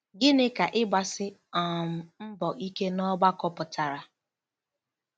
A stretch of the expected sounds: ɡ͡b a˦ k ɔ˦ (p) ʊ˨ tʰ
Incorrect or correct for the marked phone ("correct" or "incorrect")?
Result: correct